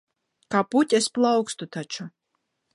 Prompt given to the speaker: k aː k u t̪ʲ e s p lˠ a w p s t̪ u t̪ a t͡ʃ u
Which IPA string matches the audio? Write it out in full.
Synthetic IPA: k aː p u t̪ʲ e s p lˠ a w k s t̪ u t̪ a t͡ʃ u